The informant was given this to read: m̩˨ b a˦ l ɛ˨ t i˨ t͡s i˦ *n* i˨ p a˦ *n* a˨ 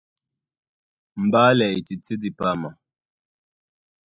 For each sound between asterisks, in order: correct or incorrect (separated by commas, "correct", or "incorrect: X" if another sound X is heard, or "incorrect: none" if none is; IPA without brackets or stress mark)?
incorrect: d, incorrect: m